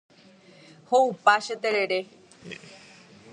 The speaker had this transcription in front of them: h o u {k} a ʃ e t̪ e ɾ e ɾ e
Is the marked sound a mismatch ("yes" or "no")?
yes